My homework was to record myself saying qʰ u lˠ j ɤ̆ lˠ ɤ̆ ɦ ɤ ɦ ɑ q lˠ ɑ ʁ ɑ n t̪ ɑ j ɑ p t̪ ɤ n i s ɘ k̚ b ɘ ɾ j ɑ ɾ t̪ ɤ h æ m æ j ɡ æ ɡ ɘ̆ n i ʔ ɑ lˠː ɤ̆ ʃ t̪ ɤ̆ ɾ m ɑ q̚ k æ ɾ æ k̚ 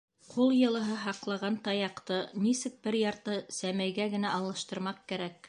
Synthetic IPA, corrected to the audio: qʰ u lˠ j ɤ̆ lˠ ɤ̆ ɦ ɤ ɦ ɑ q lˠ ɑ ʁ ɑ n t̪ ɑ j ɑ q t̪ ɤ n i s ɘ k̚ b ɘ ɾ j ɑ ɾ t̪ ɤ s æ m æ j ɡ æ ɡ ɘ̆ n æ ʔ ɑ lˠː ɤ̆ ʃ t̪ ɤ̆ ɾ m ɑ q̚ k æ ɾ æ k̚